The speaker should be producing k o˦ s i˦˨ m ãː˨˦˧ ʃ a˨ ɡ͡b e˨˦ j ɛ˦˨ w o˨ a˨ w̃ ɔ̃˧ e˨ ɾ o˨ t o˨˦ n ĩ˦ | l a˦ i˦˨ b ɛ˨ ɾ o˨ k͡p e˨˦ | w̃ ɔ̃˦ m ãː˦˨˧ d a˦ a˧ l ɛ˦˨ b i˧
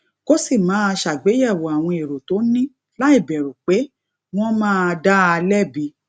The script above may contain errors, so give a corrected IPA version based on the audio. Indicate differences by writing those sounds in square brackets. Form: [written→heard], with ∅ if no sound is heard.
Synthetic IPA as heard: k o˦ s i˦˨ m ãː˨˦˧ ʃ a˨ ɡ͡b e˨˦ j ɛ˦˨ w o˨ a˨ w̃ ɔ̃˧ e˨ ɾ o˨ t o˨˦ n ĩ˦ | l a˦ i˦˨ b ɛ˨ ɾ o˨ k͡p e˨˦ | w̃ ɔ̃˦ m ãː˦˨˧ d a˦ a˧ l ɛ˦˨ b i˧